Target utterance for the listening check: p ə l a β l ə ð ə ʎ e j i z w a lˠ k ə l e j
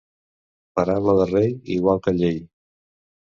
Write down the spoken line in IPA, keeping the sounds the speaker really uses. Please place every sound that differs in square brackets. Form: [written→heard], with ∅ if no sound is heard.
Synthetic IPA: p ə [l→ɾ] a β l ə ð ə [ʎ→r] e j i [z→ɣ] w a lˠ k ə [l→ʎ] e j